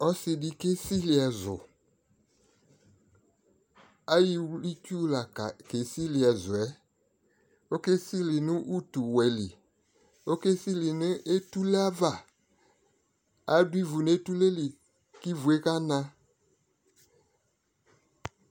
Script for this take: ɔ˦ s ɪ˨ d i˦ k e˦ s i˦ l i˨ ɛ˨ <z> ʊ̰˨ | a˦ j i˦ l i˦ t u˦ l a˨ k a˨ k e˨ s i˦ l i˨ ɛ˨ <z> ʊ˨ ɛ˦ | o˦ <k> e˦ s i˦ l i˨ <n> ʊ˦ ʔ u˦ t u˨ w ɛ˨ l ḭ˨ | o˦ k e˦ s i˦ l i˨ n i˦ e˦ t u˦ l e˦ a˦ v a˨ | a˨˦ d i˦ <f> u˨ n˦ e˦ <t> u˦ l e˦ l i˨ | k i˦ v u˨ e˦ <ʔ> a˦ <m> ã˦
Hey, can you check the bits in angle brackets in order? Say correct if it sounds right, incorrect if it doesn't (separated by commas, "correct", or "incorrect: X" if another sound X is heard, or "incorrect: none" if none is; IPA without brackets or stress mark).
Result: correct, correct, correct, correct, incorrect: v, correct, incorrect: k, incorrect: n